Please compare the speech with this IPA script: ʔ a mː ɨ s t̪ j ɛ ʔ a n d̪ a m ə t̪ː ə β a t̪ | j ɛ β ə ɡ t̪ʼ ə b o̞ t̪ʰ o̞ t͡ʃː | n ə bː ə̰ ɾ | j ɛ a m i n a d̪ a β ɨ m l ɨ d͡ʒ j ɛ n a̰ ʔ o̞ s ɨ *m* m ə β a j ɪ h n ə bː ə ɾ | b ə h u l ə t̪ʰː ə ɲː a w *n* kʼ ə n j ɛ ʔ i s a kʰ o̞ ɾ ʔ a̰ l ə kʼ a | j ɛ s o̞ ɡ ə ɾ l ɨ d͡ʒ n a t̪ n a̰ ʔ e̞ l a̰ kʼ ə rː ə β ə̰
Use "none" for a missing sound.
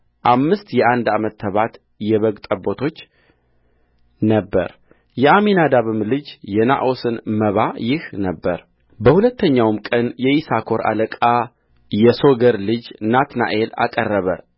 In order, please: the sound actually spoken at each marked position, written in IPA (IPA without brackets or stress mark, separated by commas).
n, m